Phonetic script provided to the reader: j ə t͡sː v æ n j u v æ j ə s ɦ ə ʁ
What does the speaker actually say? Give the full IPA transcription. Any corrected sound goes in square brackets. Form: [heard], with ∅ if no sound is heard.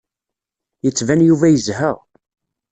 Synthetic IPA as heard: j ə t͡sː v æ n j u v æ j ə [z] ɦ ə ʁ